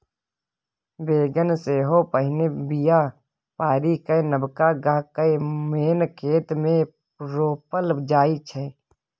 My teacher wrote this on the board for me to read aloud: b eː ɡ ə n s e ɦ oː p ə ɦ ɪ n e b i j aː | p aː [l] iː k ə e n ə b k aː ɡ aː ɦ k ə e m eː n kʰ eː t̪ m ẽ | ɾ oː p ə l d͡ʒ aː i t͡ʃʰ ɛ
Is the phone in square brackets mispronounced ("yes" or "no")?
yes